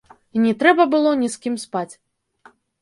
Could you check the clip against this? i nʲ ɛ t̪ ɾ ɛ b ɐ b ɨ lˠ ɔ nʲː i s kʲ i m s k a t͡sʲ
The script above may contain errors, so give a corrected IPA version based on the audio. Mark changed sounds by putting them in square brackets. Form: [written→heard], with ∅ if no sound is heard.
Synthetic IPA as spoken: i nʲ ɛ t̪ ɾ ɛ b ɐ b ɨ lˠ ɔ [nʲː→nʲ] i s kʲ i m s [k→p] a t͡sʲ